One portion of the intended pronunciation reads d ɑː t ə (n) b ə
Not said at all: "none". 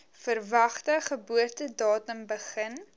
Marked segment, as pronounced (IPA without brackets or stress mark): m